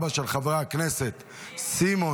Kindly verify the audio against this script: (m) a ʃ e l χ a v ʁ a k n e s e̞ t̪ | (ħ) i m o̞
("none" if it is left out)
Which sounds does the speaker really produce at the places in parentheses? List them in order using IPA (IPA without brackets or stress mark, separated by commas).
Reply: b, s